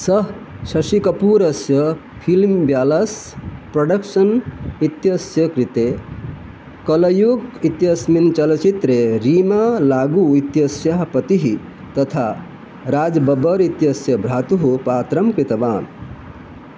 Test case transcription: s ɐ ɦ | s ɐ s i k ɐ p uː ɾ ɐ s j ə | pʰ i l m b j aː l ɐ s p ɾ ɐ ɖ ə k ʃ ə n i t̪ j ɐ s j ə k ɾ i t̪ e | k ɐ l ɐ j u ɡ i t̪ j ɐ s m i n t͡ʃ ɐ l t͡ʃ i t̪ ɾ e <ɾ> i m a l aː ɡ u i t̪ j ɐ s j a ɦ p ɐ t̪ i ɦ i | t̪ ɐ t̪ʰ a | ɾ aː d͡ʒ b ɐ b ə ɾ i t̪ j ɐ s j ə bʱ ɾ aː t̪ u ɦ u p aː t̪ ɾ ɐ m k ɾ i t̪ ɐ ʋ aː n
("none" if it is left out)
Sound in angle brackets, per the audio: ɾ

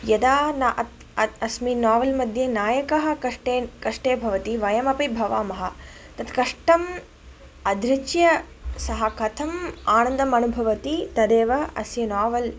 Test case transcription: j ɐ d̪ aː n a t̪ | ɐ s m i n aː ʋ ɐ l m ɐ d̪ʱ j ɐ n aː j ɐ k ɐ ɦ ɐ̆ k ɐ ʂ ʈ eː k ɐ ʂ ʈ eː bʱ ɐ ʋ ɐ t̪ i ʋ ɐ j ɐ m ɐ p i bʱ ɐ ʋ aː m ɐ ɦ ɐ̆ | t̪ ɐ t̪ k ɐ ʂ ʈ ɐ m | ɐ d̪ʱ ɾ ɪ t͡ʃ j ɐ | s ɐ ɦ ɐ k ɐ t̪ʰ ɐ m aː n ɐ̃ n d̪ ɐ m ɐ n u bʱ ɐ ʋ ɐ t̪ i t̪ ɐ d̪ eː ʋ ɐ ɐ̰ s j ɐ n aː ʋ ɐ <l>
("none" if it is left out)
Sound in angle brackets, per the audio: l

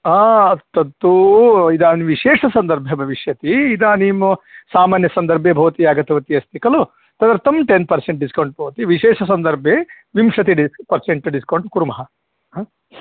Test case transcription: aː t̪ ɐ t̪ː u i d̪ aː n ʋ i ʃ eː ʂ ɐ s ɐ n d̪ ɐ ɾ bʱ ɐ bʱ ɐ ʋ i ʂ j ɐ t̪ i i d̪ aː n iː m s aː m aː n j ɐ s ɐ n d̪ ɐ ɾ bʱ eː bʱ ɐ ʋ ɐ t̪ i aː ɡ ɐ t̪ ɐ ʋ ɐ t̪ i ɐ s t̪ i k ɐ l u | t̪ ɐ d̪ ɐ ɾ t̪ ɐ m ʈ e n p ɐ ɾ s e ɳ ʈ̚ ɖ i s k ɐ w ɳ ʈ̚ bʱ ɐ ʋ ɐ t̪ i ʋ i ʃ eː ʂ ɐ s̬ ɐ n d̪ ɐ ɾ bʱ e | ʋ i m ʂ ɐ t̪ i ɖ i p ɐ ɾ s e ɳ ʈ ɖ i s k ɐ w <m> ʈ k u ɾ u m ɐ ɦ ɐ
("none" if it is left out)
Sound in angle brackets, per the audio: ɳ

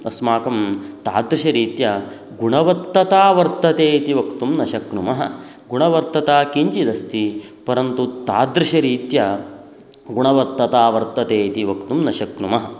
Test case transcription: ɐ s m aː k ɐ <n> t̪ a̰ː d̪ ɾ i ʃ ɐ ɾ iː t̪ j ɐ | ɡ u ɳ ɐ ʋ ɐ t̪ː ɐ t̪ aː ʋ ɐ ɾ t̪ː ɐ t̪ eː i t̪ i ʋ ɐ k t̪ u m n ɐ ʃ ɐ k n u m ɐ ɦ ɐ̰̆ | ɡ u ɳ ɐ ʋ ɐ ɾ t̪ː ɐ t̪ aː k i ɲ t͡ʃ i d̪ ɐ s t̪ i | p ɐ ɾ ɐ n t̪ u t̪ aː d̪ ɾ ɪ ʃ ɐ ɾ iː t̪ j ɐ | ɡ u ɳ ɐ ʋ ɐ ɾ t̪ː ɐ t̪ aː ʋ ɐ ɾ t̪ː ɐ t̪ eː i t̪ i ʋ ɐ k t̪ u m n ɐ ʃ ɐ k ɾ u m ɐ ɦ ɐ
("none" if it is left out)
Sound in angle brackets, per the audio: m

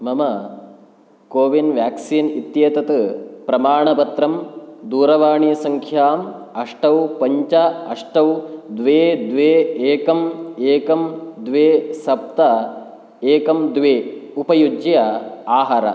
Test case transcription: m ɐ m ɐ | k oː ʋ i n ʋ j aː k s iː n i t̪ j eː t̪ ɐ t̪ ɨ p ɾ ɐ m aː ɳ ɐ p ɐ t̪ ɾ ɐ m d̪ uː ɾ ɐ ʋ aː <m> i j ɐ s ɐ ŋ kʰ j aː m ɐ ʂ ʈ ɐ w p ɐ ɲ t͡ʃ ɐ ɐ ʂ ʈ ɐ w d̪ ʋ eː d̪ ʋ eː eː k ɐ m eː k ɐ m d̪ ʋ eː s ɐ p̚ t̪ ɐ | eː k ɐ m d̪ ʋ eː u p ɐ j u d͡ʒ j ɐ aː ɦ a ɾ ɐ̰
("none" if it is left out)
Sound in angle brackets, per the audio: ɳ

